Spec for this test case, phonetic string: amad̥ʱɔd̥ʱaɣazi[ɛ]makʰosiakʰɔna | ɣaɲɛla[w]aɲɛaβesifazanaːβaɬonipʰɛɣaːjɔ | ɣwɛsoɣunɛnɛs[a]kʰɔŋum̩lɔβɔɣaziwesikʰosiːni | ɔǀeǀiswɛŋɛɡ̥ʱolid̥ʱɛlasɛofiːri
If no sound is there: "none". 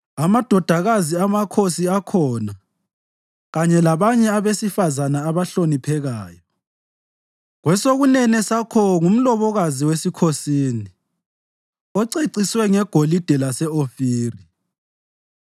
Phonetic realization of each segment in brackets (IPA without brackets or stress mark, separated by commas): a, β, a